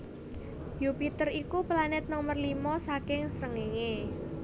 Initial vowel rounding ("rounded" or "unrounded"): rounded